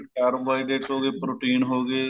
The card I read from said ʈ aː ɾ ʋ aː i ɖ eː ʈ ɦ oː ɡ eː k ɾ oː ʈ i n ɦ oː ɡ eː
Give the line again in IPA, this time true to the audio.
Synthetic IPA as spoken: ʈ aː ɾ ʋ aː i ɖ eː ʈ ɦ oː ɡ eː p ɾ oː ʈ iː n ɦ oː ɡ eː